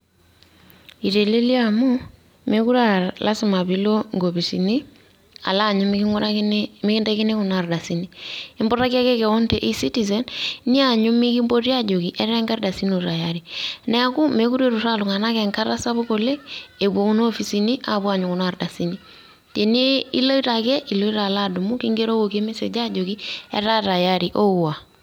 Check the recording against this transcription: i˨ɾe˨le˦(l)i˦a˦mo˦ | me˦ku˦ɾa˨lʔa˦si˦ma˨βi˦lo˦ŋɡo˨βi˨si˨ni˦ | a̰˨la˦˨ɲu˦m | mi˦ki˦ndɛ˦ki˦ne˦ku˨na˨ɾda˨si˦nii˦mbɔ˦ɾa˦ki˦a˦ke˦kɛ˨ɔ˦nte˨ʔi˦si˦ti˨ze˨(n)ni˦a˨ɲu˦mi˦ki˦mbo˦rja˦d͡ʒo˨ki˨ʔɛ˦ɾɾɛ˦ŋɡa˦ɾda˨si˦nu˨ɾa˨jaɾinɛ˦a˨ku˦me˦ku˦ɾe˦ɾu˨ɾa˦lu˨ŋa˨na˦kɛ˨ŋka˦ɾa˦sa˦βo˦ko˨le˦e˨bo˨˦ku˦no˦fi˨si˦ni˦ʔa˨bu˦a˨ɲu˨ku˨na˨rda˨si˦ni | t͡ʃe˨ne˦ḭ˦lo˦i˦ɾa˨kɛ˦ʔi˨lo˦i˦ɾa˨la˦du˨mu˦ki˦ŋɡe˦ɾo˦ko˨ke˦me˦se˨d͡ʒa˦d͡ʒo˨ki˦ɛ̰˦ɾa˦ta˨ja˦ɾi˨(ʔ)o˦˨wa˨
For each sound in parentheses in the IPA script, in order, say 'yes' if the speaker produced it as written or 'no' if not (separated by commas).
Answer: yes, yes, yes